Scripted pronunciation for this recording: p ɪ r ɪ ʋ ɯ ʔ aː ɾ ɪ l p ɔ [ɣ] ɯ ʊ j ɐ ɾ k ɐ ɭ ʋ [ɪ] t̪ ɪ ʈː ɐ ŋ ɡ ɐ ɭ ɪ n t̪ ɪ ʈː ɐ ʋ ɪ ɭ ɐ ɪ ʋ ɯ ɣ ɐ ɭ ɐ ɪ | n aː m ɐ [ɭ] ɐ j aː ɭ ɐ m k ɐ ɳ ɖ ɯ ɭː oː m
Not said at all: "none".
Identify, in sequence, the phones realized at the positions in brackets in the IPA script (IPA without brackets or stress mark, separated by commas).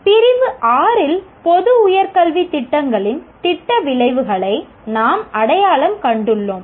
ð, i, ɽ